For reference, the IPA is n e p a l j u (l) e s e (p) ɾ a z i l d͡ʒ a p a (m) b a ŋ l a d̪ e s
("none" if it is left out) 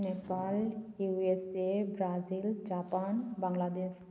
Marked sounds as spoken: none, b, n

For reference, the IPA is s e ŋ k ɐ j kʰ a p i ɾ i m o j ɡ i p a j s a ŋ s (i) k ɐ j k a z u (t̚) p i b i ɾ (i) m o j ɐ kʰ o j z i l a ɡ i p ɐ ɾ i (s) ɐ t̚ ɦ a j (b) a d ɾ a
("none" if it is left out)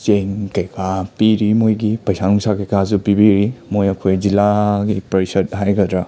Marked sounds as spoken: a, none, i, s, ɡ

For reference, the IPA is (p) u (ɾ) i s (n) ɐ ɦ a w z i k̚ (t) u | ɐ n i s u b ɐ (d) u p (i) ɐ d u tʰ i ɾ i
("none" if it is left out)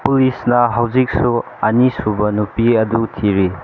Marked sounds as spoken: p, l, n, s, n, i

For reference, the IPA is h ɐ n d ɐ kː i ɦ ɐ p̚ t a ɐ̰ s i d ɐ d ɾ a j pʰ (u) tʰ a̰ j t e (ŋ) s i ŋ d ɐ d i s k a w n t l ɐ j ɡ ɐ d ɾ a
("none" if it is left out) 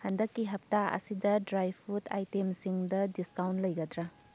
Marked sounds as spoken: u, m

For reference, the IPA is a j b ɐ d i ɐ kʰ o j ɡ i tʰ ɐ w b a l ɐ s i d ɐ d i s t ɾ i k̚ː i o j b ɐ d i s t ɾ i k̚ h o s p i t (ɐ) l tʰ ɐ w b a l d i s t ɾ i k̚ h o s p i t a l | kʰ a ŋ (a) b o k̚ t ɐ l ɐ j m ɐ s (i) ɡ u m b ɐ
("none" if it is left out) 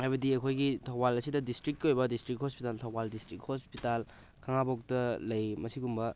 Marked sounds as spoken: a, a, i

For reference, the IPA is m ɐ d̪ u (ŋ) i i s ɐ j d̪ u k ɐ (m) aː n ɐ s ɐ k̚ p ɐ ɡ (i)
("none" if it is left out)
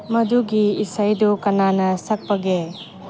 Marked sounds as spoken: ɡ, n, e

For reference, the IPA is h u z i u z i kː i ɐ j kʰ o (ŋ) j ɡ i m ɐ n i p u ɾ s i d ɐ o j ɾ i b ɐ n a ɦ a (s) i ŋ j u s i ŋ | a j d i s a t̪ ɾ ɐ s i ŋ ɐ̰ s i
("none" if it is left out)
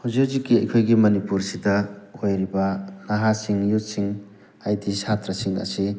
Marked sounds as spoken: none, s

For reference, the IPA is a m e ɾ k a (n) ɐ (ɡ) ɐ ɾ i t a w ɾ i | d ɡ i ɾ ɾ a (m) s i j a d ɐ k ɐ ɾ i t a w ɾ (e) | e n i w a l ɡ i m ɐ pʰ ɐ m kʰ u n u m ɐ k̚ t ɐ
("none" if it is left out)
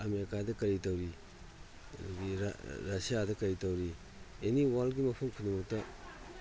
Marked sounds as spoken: d, k, none, i

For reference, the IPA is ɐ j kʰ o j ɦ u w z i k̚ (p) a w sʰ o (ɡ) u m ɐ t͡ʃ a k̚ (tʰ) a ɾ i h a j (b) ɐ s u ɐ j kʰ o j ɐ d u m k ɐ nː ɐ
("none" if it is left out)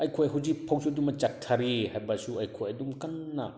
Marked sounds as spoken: pʰ, d, tʰ, b

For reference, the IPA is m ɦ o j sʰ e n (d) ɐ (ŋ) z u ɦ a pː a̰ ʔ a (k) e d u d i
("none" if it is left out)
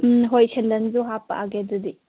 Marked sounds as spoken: d, n, ɡ

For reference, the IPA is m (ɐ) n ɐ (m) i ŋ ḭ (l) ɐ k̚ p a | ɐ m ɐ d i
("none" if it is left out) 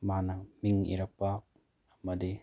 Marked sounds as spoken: a, m, ɾ

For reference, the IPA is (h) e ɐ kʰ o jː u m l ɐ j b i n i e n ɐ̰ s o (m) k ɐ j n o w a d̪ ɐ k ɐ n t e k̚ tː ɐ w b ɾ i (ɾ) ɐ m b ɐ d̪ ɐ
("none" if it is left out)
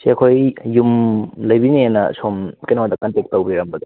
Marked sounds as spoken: s, m, ɾ

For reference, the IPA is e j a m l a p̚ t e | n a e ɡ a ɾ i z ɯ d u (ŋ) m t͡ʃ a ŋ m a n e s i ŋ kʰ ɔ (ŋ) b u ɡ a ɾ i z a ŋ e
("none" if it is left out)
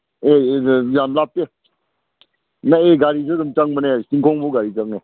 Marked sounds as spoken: none, ŋ

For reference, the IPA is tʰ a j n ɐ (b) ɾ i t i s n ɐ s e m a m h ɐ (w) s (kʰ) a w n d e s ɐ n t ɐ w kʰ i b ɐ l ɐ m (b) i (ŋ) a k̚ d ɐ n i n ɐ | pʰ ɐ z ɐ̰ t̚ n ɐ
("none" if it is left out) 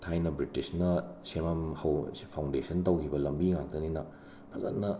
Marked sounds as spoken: b, w, pʰ, b, ŋ

